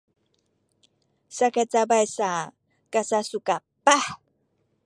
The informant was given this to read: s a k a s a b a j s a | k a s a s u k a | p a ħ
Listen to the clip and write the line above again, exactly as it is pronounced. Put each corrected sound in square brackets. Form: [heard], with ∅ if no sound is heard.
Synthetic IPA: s a k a [t͡s] a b a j s a | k a s a s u k a | p a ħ